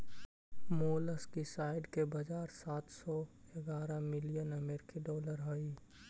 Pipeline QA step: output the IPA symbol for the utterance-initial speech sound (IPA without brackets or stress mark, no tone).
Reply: m